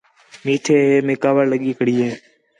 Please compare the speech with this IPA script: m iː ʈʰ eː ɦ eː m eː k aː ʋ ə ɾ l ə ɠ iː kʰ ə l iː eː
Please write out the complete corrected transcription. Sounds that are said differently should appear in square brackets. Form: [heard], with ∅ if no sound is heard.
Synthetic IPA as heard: m iː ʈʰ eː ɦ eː m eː k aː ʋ ə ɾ l ə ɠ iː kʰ ə [ɽ] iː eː